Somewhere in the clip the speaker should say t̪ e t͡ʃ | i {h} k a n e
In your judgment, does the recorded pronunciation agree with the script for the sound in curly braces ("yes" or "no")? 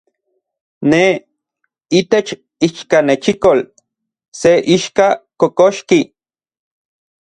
no